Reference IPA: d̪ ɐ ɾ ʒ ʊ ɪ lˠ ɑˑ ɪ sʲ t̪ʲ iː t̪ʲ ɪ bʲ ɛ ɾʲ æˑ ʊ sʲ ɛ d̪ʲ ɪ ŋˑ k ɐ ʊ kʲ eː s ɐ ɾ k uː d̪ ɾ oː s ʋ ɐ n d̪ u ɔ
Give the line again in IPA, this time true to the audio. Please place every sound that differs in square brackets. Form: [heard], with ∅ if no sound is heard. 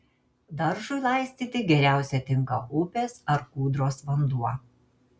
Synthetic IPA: d̪ ɐ ɾ ʒ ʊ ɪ lˠ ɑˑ ɪ sʲ t̪ʲ iː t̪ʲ ɪ [ɡʲ] ɛ ɾʲ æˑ ʊ sʲ ɛ [t̪ʲ] ɪ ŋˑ k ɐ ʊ [pʲ] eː s ɐ ɾ k uː d̪ ɾ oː s ʋ ɐ n d̪ u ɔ